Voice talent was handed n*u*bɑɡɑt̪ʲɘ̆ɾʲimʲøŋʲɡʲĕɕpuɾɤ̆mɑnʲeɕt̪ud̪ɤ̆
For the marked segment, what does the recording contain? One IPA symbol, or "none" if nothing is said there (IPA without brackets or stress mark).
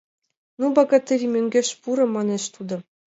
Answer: u